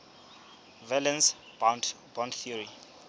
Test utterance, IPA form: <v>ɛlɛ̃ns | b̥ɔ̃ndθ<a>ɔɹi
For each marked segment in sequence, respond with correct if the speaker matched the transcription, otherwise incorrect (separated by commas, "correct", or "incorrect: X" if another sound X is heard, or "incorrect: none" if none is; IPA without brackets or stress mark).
correct, incorrect: i